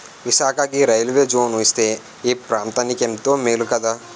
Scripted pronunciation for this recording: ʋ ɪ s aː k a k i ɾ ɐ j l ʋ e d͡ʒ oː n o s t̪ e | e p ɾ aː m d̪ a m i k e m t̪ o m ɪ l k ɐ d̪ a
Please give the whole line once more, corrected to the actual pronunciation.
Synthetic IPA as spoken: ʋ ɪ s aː k a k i ɾ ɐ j l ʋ e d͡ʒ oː n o s t̪ e | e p ɾ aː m t̪ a n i k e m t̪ o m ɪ l k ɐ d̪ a